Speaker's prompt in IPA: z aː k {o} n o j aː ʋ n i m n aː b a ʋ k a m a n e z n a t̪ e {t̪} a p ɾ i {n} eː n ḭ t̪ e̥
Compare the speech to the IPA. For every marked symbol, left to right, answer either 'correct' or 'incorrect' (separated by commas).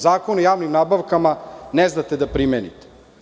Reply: correct, incorrect, incorrect